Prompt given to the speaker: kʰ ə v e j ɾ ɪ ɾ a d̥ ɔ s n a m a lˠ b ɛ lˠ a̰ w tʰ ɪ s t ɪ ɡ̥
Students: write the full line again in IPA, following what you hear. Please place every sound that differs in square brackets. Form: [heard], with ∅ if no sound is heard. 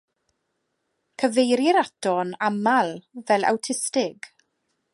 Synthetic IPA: kʰ ə v e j ɾ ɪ ɾ a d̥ ɔ [∅] n a m a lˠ [v] ɛ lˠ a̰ w tʰ ɪ s t ɪ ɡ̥